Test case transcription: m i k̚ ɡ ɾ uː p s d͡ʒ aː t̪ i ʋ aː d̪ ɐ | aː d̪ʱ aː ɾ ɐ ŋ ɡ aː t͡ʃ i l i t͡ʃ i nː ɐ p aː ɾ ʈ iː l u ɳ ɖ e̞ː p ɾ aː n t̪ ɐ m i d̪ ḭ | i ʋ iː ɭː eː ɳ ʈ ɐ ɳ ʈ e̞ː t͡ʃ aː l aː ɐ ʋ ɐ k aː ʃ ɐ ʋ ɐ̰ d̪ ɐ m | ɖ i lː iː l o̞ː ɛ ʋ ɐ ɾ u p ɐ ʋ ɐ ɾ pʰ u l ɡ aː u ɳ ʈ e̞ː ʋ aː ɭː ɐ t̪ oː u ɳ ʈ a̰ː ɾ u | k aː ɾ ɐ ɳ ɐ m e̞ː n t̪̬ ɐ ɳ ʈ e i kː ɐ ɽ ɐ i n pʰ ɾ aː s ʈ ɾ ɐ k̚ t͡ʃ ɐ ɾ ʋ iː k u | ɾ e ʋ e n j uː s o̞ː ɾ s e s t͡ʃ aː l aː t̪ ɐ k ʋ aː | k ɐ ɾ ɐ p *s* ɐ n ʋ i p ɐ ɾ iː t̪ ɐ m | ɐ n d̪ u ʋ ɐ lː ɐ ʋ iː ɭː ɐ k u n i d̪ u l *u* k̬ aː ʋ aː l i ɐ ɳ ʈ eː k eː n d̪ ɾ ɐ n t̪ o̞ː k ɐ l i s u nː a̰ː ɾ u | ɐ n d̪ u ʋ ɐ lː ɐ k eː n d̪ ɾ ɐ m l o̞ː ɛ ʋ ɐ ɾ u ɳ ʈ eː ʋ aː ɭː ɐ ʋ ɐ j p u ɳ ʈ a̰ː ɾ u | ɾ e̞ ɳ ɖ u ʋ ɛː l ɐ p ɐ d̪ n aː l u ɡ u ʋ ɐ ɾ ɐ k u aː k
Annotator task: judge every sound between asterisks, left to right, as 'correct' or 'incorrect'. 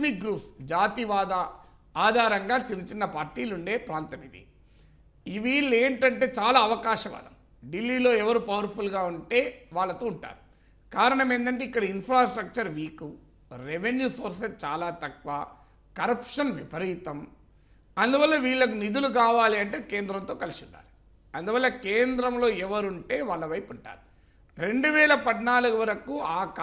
incorrect, correct

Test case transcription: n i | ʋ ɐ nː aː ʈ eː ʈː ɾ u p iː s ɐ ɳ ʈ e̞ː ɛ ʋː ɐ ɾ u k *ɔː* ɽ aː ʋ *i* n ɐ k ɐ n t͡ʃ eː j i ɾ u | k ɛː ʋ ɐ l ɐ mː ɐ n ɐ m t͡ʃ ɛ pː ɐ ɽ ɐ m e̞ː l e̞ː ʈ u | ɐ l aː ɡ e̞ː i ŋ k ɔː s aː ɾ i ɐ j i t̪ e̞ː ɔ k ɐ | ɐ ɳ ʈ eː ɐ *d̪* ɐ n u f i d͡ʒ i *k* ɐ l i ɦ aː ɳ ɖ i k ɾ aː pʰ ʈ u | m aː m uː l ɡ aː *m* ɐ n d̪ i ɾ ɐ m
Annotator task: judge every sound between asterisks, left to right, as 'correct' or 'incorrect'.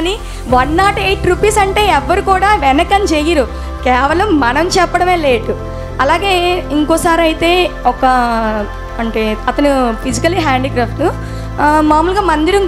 incorrect, incorrect, incorrect, correct, correct

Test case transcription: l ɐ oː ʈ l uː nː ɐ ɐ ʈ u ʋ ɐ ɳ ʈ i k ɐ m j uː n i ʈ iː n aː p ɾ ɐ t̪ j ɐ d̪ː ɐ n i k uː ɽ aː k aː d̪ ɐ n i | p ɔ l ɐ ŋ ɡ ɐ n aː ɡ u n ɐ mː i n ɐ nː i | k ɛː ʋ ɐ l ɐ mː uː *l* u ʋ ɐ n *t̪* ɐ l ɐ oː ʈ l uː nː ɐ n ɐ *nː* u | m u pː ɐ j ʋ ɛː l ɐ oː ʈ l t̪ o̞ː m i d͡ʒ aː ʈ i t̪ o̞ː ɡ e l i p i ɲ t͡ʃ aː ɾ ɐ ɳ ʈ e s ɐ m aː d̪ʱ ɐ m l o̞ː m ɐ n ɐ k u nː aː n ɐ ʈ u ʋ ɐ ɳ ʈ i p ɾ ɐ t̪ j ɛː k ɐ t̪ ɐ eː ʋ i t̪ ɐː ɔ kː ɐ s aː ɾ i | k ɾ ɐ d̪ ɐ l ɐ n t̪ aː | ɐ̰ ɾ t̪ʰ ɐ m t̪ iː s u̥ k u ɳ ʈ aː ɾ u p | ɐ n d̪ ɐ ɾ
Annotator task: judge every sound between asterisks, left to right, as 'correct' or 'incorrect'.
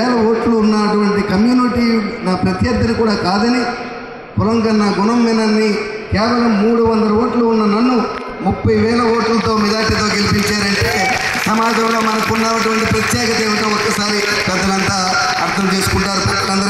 incorrect, incorrect, correct

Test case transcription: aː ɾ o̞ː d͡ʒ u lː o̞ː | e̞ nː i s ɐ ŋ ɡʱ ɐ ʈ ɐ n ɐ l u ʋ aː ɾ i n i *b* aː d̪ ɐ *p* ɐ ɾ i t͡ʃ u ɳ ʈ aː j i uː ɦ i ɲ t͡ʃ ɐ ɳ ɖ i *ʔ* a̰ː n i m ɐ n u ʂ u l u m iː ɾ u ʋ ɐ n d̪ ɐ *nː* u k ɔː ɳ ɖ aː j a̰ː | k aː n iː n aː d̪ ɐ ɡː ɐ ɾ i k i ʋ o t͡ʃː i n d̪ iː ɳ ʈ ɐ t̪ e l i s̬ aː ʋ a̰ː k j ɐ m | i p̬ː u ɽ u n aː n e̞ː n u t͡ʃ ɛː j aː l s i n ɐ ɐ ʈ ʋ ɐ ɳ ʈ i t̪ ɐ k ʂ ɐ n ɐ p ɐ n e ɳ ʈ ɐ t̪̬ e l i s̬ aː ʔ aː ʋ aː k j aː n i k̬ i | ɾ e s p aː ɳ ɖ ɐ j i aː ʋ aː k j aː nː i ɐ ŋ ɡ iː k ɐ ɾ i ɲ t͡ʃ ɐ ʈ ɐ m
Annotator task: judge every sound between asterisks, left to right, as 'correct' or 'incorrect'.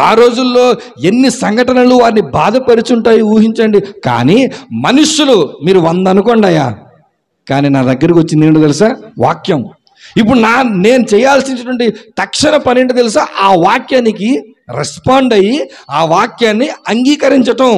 correct, correct, incorrect, incorrect

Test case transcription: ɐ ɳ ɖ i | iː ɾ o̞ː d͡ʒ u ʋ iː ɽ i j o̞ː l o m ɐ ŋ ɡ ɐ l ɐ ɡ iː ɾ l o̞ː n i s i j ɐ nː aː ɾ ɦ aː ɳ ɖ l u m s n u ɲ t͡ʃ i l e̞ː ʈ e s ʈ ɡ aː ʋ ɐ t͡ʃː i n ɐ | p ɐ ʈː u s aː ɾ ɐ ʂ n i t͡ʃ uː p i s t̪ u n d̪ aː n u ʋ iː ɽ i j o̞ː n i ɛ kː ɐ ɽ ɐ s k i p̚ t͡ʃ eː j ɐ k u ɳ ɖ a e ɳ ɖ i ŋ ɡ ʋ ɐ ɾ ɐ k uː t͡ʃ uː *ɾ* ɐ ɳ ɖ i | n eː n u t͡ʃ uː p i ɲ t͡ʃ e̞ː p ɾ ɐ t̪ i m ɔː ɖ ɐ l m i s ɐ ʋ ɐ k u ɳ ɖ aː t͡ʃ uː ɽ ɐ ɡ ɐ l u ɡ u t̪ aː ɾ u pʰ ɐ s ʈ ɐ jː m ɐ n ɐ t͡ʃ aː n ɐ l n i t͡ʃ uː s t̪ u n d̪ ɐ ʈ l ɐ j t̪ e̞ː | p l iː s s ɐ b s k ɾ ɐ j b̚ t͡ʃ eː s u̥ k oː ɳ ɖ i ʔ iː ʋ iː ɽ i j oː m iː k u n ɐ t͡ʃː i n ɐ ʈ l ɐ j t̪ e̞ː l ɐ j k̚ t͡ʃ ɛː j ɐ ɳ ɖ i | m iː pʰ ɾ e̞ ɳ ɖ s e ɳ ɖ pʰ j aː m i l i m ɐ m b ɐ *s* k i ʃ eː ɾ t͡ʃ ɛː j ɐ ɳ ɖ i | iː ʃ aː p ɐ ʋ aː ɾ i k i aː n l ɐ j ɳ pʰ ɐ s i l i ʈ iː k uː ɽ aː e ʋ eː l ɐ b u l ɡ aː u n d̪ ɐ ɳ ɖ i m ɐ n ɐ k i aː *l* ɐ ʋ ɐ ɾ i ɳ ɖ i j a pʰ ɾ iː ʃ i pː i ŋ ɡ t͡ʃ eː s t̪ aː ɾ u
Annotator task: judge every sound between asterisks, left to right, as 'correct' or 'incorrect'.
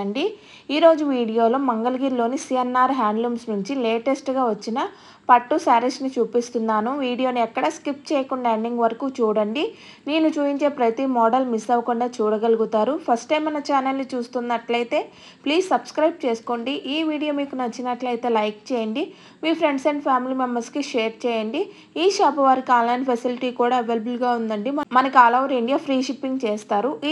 incorrect, correct, correct

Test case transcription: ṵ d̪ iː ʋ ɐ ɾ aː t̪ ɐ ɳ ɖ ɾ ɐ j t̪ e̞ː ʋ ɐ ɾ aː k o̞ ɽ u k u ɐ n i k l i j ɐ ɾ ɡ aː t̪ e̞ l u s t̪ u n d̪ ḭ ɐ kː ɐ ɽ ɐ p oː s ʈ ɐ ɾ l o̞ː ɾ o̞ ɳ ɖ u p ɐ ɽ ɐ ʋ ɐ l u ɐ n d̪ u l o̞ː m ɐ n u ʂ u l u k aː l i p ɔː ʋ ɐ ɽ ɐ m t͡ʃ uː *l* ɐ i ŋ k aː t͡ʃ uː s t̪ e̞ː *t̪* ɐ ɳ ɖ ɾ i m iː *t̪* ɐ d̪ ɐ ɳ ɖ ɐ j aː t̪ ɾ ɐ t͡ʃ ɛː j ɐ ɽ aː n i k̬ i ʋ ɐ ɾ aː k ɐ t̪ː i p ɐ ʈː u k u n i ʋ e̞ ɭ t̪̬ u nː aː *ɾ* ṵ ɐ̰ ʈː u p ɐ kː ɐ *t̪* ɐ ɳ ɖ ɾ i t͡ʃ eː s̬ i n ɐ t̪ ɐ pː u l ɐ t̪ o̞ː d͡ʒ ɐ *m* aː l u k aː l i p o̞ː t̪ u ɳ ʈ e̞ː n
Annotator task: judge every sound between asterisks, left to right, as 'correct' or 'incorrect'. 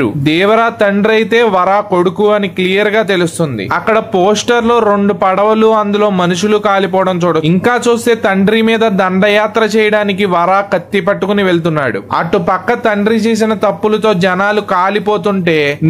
incorrect, correct, incorrect, incorrect, correct, incorrect

